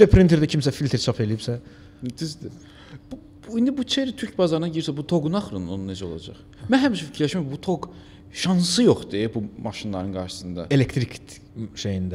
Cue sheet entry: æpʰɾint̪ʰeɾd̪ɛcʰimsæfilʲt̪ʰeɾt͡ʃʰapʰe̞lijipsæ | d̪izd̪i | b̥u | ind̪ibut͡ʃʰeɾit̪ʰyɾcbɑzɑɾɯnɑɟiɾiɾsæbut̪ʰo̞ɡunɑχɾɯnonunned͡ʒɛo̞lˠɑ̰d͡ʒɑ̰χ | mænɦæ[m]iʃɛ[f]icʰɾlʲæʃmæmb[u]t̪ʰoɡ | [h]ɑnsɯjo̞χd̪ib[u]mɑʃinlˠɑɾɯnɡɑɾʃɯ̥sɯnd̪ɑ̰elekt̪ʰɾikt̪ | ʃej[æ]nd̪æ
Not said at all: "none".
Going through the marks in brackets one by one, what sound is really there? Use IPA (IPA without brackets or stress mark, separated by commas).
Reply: m, f, u, ʃ, u, i